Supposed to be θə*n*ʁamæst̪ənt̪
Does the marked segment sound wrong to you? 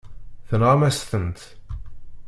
no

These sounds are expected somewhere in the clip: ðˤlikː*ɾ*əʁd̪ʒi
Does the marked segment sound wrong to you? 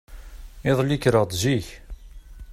no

